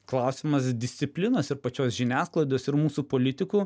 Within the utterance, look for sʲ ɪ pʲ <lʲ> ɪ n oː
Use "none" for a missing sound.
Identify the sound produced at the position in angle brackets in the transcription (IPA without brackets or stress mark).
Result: lʲ